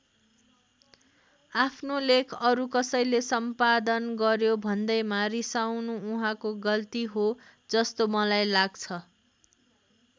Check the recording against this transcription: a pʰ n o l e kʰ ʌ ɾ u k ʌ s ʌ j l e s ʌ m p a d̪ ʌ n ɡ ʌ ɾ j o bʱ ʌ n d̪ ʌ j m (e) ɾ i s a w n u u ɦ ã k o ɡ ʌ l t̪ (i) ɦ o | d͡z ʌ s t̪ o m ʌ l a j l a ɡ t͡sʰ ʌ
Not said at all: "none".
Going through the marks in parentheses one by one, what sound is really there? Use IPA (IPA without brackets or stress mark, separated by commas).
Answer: a, i